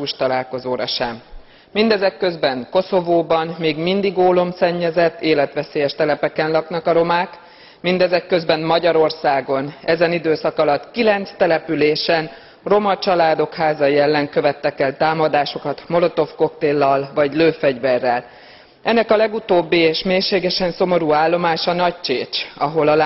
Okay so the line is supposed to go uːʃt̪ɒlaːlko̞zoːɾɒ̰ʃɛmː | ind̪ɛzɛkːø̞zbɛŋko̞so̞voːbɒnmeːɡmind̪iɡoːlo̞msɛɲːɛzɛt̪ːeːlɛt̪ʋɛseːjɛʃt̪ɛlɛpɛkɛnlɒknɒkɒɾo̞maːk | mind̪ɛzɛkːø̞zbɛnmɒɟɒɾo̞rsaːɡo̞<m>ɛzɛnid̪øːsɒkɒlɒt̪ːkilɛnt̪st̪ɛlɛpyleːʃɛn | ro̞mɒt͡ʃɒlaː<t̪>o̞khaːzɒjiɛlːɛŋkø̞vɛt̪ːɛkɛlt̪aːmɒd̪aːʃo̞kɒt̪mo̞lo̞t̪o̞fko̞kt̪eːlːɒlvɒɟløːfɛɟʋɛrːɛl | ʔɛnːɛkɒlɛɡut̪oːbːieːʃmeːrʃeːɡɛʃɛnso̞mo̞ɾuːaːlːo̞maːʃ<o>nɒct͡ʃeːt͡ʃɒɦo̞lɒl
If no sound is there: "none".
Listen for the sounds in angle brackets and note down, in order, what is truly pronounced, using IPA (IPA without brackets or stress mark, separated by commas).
n, d̪, ɒ